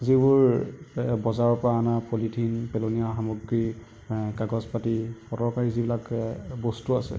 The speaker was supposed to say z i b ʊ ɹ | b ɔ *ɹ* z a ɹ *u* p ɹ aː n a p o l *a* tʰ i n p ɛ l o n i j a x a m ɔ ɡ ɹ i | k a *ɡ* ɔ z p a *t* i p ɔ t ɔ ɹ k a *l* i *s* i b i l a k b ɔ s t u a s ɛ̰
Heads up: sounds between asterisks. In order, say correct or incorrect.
incorrect: none, incorrect: ɔ, incorrect: i, correct, correct, incorrect: ɹ, incorrect: z

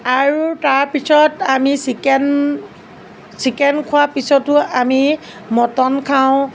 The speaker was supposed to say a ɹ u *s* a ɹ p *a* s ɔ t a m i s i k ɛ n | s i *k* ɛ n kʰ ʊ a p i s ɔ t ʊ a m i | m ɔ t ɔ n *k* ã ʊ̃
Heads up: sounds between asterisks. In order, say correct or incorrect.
incorrect: t, incorrect: i, correct, incorrect: kʰ

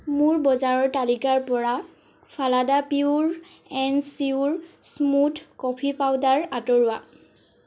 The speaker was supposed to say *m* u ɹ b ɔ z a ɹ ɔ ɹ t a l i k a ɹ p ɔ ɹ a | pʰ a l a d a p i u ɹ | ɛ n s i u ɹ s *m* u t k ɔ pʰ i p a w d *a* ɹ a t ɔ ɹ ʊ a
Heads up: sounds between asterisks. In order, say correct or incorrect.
correct, correct, correct

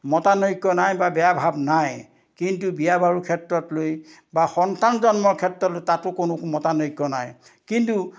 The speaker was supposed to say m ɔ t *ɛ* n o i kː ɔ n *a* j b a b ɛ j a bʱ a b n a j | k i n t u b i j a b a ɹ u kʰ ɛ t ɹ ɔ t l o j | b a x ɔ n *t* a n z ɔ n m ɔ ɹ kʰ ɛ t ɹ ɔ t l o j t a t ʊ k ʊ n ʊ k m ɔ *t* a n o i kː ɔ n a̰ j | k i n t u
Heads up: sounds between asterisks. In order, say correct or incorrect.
incorrect: a, correct, correct, correct

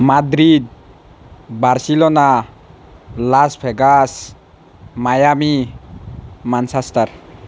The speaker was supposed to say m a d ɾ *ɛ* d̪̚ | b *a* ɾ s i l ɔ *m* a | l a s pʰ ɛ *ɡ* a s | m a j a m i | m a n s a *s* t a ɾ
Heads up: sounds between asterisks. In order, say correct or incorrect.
incorrect: i, correct, incorrect: n, correct, correct

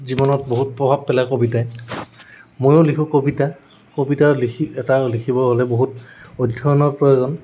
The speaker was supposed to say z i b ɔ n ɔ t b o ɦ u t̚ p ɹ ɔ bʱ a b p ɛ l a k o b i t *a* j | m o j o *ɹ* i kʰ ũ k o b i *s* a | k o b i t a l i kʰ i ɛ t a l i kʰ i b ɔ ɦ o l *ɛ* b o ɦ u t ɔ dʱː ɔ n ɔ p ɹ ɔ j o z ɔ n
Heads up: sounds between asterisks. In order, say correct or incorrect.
correct, incorrect: l, incorrect: t, correct

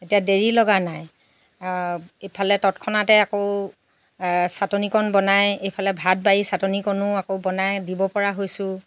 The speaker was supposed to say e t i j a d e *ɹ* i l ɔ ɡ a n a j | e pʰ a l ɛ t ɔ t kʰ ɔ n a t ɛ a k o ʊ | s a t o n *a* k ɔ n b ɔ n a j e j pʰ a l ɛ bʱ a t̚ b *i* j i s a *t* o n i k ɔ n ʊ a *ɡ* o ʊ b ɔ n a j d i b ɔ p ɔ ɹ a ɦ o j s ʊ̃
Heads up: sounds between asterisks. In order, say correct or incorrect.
correct, incorrect: i, incorrect: a, correct, incorrect: k

